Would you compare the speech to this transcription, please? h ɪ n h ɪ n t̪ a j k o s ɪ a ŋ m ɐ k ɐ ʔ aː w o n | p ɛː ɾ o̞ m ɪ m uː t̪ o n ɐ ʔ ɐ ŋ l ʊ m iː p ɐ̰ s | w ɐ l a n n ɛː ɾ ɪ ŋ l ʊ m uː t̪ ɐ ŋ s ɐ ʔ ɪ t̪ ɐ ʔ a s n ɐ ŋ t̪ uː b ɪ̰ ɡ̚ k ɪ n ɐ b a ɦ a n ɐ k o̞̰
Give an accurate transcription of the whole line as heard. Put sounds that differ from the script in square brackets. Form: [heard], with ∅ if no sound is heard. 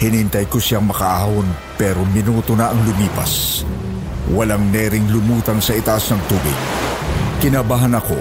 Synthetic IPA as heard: h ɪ n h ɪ n t̪ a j k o s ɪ a ŋ m ɐ k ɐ ʔ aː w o n | p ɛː ɾ o̞ m ɪ [n] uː t̪ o n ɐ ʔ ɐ ŋ l ʊ m iː p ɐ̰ s | w ɐ l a [ŋ] n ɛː ɾ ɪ ŋ l ʊ m uː t̪ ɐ ŋ s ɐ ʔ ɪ t̪ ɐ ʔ a s n ɐ ŋ t̪ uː b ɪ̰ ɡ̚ k ɪ n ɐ b a ɦ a n ɐ k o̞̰